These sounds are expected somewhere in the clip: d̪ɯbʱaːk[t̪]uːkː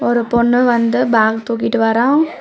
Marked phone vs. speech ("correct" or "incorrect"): correct